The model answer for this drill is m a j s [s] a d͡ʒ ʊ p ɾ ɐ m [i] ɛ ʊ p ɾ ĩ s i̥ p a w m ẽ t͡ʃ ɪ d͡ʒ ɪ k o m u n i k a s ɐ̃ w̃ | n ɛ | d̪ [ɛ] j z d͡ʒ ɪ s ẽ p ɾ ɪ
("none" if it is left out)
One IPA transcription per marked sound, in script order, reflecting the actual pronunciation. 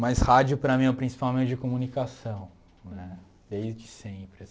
h, ĩ, e

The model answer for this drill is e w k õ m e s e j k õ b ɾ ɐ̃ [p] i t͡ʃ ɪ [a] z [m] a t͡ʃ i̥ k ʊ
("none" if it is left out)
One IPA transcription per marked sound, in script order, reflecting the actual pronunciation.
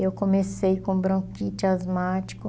k, a, m

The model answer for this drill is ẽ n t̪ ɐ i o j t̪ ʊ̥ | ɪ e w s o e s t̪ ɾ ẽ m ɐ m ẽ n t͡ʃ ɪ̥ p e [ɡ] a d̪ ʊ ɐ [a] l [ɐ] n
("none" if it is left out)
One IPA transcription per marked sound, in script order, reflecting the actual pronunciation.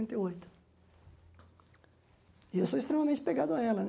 ɡ, ɛ, ɐ

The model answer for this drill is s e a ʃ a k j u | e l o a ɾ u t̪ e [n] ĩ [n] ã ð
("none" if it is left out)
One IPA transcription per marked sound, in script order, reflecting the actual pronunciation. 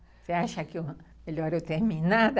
m, n

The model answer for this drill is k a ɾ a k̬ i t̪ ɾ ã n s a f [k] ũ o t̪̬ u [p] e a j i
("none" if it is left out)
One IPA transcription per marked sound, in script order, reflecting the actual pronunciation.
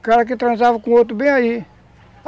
k, b

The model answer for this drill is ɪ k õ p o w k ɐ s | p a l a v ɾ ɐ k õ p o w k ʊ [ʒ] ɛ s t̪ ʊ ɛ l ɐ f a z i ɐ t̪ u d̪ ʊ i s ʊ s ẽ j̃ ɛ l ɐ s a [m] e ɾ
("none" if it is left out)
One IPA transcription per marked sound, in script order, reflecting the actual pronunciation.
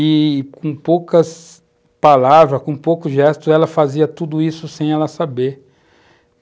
ʒ, b

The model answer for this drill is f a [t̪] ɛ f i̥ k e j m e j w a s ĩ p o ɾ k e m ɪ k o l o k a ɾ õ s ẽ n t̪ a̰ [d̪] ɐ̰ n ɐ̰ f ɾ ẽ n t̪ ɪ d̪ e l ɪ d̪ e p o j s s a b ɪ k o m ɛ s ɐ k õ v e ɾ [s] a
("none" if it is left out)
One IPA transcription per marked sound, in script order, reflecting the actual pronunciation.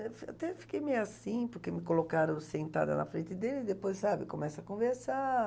t̪, d̪, s

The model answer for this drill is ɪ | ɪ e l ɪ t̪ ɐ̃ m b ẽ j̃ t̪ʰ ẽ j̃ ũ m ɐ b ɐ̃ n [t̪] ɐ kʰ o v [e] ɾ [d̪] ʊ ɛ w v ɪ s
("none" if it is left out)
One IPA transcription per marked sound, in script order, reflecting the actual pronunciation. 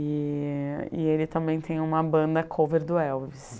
d̪, e, d̪

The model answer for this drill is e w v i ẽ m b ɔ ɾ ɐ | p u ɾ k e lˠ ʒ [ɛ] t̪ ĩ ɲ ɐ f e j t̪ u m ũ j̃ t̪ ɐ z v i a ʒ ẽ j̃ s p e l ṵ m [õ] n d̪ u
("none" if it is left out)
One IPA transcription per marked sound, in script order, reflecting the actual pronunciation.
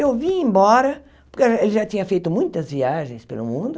a, ũ

